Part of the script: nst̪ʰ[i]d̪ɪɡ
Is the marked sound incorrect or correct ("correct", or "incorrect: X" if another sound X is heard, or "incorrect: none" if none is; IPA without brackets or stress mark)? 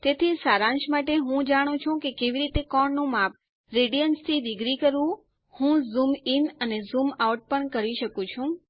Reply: correct